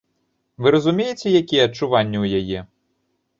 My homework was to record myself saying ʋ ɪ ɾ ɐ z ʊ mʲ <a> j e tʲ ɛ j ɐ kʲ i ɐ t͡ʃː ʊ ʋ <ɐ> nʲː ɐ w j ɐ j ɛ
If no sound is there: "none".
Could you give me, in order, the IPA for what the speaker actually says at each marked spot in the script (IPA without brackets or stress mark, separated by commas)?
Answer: i, ɑ